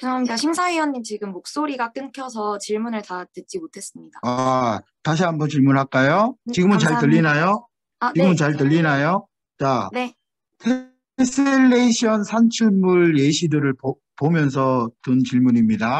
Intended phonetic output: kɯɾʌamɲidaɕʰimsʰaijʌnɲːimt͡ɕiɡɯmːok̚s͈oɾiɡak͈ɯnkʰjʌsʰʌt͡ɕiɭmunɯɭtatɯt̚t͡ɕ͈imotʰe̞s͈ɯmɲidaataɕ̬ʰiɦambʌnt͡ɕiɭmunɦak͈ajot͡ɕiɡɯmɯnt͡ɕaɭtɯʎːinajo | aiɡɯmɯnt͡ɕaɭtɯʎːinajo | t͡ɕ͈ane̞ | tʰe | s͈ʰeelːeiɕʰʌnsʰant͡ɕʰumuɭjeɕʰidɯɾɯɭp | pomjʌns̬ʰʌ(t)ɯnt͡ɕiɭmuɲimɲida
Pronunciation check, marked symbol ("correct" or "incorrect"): correct